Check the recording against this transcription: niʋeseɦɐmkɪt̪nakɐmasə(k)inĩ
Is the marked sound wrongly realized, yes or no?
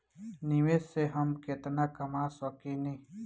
no